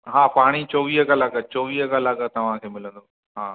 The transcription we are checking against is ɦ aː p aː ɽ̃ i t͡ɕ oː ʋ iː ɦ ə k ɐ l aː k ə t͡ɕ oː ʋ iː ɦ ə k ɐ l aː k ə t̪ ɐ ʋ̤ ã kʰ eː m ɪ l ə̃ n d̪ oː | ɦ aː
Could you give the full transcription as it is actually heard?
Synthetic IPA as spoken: ɦ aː p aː ɽ̃ i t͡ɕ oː ʋ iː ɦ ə k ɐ l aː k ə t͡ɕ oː ʋ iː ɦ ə k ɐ l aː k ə t̪ ɐ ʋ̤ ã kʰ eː m ɪ l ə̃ n d̪ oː | ɦ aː